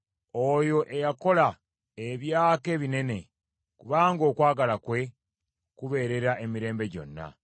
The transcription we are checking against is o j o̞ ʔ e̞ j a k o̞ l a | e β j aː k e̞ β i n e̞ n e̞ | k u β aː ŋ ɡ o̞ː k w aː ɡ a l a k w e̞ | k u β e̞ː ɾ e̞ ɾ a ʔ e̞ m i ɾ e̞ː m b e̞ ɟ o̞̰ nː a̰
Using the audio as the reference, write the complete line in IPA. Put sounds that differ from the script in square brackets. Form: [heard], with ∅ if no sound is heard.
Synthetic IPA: o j o̞ ʔ e̞ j a k o̞ l a | e β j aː k e̞ β i n e̞ n e̞ | k u β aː ŋ ɡ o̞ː k w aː ɡ a l a k w e̞ | k u β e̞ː ɾ e̞ ɾ a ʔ e̞ m i ɾ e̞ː m b e̞ ɟ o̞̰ nː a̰